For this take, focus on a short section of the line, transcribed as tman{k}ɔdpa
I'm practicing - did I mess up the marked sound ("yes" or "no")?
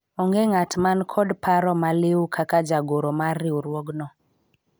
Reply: yes